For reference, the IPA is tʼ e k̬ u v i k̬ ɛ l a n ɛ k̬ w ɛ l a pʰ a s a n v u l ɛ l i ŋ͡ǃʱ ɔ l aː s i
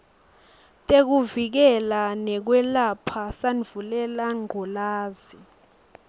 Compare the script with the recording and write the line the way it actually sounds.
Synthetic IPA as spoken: tʼ e k̬ u v i k̬ ɛ l a n ɛ k̬ w ɛ l a pʰ a s a n v u l ɛ l a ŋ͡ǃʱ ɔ l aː z i